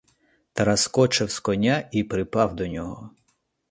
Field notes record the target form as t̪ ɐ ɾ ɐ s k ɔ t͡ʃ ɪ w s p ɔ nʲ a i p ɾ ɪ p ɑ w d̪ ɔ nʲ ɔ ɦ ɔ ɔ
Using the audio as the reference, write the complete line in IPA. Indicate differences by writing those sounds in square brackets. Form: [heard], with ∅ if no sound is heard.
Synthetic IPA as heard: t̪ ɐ ɾ ɐ s k ɔ t͡ʃ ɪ w s [k] ɔ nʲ a i p ɾ ɪ p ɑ w d̪ ɔ nʲ ɔ ɦ ɔ ɔ